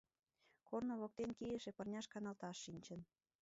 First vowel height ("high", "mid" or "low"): mid